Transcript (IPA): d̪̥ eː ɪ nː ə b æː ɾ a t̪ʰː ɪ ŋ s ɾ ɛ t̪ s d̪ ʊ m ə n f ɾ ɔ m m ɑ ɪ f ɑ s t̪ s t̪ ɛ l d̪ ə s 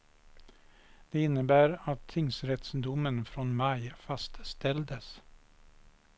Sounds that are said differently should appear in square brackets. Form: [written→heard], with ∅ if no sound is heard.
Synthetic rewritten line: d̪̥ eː ɪ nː ə b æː ɾ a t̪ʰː ɪ ŋ s ɾ ɛ t̪ s d̪ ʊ m ə n f ɾ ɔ [m→n] m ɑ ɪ f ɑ s t̪ s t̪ ɛ l d̪ ə s